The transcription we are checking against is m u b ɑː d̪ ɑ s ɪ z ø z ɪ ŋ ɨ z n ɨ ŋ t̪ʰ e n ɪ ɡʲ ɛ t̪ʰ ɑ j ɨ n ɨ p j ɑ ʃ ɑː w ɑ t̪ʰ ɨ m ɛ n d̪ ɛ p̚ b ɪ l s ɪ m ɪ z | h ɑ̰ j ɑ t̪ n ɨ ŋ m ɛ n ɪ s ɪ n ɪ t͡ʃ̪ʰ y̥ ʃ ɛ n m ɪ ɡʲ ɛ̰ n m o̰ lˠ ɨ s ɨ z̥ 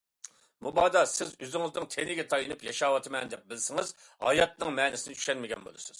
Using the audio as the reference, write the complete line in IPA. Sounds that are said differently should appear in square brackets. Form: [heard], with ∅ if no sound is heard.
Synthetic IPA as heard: m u b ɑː d̪ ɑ s ɪ z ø z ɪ ŋ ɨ z n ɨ ŋ t̪ʰ e n ɪ ɡʲ ɛ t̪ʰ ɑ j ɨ n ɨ p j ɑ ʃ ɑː w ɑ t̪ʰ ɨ m ɛ n d̪ ɛ p̚ b ɪ l s ɪ [ŋ] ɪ z | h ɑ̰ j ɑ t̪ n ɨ ŋ m ɛ n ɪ s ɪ n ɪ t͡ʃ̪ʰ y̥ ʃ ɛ n m ɪ ɡʲ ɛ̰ n [b] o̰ lˠ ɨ s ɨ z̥